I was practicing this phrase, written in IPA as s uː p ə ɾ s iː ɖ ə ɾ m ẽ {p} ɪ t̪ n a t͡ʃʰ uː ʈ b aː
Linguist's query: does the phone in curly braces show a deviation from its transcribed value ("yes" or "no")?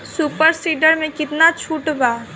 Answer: yes